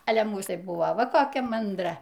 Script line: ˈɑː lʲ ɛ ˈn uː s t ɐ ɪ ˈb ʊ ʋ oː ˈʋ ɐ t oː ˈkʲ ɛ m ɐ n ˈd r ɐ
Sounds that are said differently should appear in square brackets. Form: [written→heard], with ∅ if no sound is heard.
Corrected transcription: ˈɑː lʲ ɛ [ˈn→ˈm] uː s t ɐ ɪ ˈb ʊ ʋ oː ˈʋ ɐ [t→k] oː ˈkʲ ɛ m ɐ n ˈd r ɐ